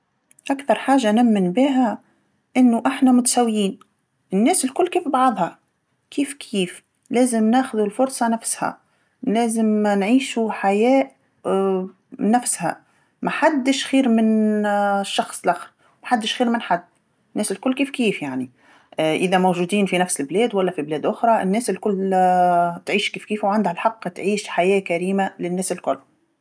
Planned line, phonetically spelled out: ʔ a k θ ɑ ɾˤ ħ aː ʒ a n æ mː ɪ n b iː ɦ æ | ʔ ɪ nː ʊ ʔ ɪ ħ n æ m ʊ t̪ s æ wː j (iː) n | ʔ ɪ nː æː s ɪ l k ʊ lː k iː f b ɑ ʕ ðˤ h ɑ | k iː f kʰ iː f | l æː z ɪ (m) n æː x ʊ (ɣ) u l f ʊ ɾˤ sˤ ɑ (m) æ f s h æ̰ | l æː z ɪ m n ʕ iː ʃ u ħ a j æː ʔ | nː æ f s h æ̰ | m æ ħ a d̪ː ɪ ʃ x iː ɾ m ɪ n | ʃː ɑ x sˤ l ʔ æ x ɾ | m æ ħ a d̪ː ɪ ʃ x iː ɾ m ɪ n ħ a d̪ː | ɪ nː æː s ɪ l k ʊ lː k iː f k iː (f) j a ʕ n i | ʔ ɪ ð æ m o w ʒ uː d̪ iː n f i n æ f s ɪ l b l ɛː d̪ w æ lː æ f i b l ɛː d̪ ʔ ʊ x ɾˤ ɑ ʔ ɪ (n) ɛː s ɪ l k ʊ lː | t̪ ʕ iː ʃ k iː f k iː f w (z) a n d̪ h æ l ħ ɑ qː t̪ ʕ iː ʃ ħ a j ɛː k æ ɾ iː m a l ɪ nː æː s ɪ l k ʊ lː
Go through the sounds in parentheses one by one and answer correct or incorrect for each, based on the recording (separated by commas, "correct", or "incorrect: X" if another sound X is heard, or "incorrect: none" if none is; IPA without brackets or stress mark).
correct, correct, incorrect: ð, incorrect: n, correct, incorrect: nː, incorrect: ʕ